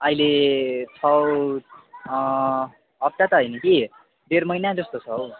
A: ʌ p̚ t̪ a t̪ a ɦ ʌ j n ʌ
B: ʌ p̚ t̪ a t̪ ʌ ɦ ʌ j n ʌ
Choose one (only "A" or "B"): B